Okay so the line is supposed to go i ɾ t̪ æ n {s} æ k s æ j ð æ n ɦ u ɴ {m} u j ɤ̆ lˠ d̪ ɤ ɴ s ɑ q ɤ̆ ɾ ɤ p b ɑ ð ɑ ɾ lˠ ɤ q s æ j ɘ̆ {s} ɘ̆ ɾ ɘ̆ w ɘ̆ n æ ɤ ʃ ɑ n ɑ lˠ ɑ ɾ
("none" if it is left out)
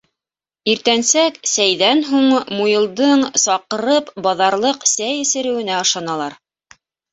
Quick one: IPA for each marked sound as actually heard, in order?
s, m, s

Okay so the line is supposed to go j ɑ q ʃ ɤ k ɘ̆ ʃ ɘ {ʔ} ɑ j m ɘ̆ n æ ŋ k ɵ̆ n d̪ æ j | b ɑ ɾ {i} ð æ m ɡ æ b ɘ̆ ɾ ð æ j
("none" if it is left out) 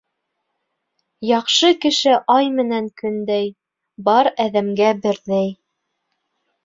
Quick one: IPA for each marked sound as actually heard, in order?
ʔ, æ

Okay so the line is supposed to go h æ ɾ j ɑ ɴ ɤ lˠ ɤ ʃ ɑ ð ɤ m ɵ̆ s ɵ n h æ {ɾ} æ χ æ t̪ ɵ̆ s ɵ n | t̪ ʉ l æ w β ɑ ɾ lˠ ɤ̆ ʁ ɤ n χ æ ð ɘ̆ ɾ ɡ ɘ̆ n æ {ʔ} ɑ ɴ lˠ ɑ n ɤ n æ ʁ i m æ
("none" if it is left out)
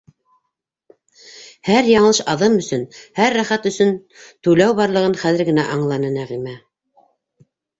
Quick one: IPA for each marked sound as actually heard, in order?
ɾː, ʔ

